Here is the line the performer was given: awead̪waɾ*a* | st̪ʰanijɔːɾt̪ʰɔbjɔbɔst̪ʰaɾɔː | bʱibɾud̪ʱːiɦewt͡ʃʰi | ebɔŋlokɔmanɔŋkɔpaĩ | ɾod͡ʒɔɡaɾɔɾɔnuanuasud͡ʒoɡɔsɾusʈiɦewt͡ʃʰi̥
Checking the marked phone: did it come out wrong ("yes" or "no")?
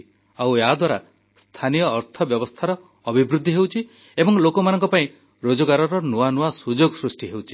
no